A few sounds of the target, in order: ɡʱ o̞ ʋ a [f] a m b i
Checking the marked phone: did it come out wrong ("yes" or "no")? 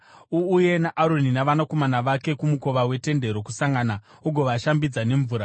yes